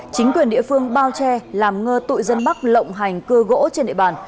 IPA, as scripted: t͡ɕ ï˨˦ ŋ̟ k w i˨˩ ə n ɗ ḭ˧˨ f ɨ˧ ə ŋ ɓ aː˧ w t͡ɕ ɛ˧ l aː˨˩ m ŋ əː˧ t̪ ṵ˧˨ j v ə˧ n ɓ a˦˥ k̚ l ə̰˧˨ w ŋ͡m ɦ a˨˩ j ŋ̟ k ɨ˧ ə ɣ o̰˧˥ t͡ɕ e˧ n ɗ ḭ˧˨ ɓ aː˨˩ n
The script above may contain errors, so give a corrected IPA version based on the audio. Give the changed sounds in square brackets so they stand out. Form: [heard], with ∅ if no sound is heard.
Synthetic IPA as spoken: t͡ɕ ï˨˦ ŋ̟ k w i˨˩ ə n ɗ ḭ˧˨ f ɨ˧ ə ŋ ɓ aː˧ w t͡ɕ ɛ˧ l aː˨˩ m ŋ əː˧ t̪ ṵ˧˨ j [z] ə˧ n ɓ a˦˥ k̚ l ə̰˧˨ w ŋ͡m ɦ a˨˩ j ŋ̟ k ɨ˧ ə ɣ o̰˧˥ t͡ɕ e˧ n ɗ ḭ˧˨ ɓ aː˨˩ n